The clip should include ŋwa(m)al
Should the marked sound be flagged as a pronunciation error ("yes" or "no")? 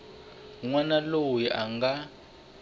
yes